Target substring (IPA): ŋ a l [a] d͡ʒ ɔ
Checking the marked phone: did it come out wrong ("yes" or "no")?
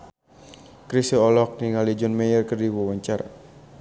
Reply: yes